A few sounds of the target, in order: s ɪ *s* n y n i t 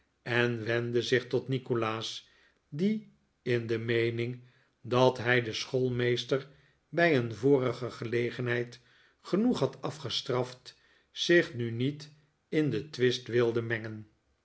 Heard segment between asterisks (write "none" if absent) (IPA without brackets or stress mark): χ